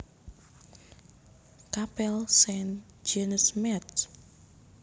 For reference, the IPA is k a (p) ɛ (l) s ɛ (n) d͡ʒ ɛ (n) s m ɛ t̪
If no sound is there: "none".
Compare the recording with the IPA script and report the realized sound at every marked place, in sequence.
p, l, n, n

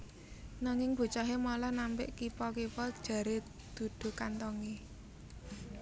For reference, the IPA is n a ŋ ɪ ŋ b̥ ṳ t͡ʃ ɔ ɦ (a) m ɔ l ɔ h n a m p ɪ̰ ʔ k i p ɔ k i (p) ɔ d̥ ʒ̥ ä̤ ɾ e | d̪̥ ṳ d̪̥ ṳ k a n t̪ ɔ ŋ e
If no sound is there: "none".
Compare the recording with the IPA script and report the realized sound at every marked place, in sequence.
e, p

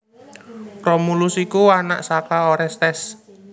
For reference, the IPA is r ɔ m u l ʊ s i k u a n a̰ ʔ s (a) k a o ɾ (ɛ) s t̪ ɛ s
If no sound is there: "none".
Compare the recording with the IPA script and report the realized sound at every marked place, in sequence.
a, ɛ

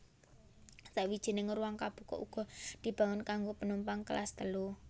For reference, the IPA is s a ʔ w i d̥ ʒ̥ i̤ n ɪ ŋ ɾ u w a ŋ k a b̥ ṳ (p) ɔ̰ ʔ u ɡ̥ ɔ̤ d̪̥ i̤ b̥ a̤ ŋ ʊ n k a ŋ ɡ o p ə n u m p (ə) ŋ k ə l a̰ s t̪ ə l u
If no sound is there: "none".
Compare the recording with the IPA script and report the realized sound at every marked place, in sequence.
k, a

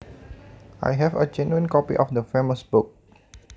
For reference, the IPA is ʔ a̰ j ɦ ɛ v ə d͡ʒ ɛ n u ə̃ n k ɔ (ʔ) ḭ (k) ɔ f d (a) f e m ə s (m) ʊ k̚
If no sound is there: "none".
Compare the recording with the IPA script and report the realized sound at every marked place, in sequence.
p, ʔ, ə, b

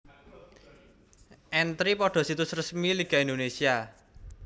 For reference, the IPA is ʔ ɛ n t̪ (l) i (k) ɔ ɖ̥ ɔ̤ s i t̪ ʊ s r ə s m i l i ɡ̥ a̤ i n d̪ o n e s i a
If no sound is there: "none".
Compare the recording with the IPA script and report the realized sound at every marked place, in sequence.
ɾ, p

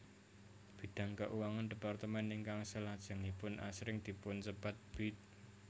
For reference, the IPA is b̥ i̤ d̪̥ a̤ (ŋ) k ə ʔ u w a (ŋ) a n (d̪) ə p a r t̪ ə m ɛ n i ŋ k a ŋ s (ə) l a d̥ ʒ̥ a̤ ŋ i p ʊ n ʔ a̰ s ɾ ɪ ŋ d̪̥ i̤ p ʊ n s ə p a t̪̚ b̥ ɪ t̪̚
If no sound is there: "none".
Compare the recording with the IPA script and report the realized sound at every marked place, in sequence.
ŋ, ŋ, d̪, ə

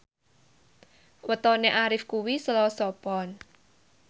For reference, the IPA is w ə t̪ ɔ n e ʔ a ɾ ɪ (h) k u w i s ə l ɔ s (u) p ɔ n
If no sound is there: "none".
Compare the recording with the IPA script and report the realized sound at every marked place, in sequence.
f, ɔ

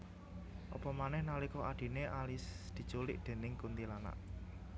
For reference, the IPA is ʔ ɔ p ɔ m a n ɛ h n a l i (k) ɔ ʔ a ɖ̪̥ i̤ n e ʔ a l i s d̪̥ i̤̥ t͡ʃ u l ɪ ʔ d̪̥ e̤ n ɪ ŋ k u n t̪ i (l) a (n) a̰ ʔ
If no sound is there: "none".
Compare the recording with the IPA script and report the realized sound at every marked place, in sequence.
k, l, n

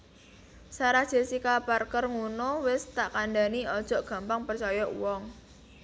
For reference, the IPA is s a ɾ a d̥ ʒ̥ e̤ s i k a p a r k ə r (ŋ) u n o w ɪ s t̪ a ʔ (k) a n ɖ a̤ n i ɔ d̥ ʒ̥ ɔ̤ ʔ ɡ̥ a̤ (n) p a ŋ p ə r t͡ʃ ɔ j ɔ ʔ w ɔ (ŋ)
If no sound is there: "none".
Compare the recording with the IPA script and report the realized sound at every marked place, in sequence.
ŋ, k, m, ŋ

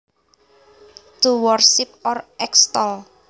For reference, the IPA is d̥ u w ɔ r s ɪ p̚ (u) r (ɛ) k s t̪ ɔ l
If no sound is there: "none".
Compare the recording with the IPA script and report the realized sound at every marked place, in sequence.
ɔ, ɛ

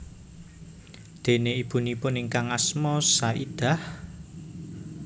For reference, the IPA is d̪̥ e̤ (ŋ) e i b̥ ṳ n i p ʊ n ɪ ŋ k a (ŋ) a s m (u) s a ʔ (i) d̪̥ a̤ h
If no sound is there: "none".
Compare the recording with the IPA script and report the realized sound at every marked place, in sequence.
n, ŋ, ɔ, i

